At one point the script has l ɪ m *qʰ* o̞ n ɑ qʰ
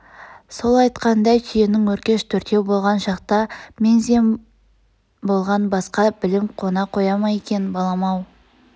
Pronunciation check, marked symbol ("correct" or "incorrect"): correct